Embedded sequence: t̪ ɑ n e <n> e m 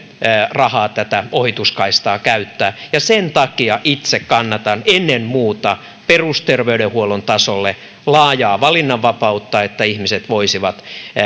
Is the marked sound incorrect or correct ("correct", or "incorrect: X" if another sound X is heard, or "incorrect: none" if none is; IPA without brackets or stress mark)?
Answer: incorrect: nː